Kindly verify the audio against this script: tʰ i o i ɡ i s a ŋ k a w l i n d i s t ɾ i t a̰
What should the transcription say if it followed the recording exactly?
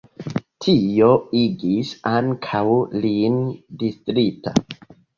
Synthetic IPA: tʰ i o i ɡ i s a ŋ kʰ a w l i n d i s t ɾ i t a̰